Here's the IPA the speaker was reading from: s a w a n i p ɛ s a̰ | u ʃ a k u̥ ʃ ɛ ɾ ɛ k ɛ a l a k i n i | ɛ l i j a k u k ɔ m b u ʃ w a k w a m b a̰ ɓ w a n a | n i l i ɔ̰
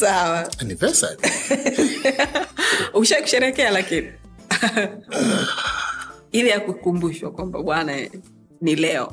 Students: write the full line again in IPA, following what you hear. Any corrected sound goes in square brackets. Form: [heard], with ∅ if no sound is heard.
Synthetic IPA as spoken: s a w a n i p ɛ s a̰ | u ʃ a k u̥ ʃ ɛ ɾ ɛ k ɛ a l a k i n i | [i] l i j a k u k [u] m b u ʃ w a k w a m b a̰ ɓ w a n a | n i l [ɛ] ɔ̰